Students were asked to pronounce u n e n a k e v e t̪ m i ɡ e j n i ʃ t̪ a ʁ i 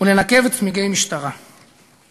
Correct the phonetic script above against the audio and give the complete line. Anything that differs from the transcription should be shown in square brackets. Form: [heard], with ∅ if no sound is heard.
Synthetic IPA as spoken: u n e n a k e v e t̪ m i ɡ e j [m] i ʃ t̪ a ʁ [a]